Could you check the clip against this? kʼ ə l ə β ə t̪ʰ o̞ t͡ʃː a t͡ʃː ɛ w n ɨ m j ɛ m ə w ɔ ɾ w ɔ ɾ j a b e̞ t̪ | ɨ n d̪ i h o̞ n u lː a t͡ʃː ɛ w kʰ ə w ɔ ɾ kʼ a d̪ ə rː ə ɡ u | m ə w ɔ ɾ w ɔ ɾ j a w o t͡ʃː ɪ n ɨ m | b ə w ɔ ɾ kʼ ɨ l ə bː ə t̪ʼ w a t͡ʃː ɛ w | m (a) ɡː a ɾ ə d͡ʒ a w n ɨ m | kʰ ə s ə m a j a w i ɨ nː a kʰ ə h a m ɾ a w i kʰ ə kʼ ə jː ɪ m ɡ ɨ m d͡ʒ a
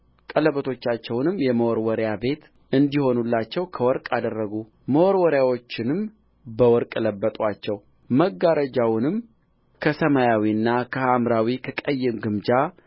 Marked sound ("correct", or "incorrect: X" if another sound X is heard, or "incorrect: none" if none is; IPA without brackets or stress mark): incorrect: ə